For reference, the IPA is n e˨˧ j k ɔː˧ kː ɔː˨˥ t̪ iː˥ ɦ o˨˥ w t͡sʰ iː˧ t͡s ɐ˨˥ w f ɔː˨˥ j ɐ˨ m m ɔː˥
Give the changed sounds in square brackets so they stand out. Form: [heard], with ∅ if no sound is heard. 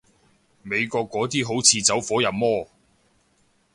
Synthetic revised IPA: [m] e˨˧ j k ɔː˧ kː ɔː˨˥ t̪ iː˥ ɦ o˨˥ w t͡sʰ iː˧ t͡s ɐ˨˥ w f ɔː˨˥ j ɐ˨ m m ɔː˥